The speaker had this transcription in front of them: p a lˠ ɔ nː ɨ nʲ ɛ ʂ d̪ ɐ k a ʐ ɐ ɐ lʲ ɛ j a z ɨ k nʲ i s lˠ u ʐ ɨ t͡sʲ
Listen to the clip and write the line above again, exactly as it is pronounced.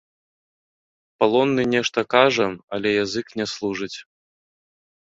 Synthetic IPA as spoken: p a lˠ ɔ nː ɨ nʲ ɛ ʂ t̪ ɐ k a ʐ ɐ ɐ lʲ ɛ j a z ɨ k nʲ ɛ s lˠ u ʐ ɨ t͡sʲ